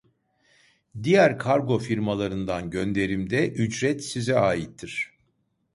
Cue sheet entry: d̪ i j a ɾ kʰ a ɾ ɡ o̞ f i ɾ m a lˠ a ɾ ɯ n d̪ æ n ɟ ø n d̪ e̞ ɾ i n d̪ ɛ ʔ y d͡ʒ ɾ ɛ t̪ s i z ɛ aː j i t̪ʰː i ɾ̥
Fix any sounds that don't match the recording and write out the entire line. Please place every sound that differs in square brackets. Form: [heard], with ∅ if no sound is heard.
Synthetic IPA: d̪ i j [æ] ɾ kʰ a ɾ ɡ o̞ f i ɾ m a lˠ a ɾ ɯ n d̪ [a] n ɟ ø n d̪ e̞ ɾ i [m] d̪ ɛ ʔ y d͡ʒ ɾ ɛ t̪ s i z ɛ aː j i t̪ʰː i ɾ̥